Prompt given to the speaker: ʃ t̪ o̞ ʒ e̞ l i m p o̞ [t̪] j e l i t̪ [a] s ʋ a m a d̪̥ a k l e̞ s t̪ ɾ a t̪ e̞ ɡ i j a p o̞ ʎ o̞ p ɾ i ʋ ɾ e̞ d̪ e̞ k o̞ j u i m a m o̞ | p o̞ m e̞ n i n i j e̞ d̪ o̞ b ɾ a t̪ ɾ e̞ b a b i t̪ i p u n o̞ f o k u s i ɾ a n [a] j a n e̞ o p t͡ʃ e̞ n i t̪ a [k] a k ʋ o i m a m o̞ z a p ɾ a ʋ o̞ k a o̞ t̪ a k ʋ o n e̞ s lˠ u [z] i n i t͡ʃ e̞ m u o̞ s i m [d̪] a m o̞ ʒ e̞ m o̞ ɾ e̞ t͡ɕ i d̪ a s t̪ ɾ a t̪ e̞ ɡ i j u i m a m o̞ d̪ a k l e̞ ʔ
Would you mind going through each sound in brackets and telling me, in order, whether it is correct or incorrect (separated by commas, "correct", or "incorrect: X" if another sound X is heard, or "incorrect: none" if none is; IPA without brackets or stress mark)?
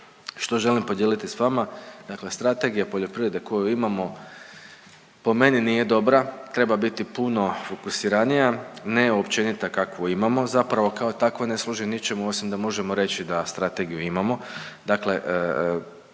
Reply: incorrect: d̪, incorrect: i, incorrect: i, correct, incorrect: ʒ, correct